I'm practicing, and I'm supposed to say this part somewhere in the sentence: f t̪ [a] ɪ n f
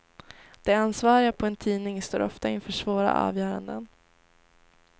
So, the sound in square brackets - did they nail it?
yes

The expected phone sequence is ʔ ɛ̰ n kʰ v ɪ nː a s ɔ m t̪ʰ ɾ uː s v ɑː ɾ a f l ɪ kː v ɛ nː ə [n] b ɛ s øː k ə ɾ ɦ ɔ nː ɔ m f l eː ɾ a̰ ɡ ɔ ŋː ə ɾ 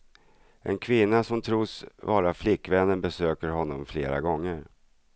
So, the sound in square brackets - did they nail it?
yes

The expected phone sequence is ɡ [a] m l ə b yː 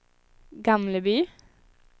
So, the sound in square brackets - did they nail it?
no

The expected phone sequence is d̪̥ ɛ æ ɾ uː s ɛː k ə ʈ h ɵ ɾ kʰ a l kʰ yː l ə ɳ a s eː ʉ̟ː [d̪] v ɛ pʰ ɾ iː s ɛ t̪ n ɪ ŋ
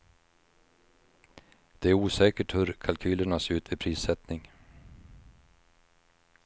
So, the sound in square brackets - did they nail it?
no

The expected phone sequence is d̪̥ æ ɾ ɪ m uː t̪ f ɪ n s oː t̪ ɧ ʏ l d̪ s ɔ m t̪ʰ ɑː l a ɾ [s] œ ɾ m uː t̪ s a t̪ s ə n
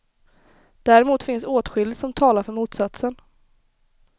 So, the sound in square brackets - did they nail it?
no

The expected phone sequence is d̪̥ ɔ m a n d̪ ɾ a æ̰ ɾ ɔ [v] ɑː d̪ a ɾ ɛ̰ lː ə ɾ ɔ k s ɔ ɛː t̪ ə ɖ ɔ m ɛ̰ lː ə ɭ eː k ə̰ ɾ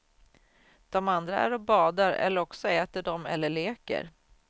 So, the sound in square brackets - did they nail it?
no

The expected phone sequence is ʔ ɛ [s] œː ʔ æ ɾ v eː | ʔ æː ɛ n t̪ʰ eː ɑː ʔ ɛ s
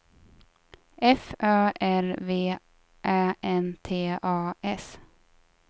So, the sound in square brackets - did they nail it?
no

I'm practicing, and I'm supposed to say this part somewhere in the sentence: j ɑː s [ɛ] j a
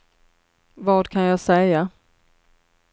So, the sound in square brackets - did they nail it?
yes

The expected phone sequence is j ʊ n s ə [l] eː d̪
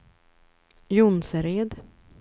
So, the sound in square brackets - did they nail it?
no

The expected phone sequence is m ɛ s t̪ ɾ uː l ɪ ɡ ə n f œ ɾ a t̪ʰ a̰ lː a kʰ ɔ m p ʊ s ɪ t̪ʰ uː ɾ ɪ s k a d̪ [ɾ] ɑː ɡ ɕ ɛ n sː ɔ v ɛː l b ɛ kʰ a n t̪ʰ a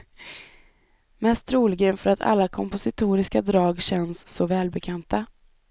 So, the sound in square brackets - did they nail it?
yes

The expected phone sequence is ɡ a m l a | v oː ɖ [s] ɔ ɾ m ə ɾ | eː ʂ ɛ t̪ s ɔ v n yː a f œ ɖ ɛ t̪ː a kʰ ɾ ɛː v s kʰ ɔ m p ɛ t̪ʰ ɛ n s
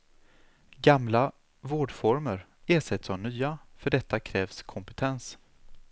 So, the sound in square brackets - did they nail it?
no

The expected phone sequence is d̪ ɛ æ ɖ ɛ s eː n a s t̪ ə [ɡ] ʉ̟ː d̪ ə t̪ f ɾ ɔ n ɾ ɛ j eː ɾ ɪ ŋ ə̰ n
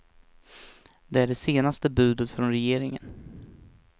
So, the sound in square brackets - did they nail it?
no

